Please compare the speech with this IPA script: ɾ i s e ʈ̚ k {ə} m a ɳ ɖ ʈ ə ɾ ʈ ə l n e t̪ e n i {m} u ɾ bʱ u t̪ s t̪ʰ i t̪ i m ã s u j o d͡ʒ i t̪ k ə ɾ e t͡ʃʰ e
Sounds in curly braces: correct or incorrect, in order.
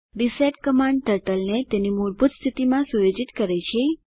correct, correct

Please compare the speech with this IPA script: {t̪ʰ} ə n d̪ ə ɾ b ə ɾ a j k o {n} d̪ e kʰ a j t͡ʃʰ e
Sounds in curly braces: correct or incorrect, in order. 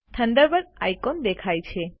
correct, correct

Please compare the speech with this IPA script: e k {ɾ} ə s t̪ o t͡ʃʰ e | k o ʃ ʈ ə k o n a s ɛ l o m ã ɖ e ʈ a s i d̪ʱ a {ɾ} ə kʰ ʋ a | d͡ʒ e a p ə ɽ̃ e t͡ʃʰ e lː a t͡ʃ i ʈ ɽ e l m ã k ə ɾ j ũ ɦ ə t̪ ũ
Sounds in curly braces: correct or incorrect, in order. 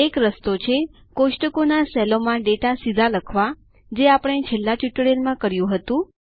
correct, incorrect: l

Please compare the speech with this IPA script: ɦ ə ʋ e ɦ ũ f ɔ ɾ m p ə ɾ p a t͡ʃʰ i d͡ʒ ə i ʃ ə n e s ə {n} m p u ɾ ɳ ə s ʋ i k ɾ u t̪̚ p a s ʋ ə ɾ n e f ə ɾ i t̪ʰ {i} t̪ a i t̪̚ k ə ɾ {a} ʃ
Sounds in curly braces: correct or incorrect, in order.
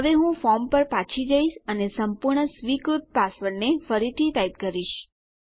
incorrect: none, correct, incorrect: i

